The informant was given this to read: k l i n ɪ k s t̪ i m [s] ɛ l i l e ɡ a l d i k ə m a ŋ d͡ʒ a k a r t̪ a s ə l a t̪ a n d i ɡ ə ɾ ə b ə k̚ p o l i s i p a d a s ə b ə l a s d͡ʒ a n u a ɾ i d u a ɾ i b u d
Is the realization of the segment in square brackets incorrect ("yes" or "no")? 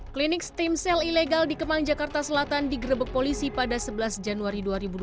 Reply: no